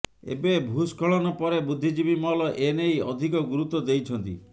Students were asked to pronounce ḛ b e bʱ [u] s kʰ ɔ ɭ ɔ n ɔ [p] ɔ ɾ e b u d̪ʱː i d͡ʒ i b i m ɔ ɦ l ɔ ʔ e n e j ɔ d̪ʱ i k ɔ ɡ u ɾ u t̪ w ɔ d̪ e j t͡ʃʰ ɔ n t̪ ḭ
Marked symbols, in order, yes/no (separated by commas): yes, yes